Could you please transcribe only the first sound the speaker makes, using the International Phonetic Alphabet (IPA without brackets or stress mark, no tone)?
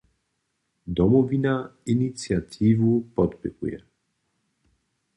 d̪